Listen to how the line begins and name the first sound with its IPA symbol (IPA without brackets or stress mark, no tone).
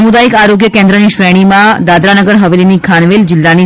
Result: m